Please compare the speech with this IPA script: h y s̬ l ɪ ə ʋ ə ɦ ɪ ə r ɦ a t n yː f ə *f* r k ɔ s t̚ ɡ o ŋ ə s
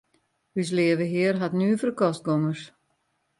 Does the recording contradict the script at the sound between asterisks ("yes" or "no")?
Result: yes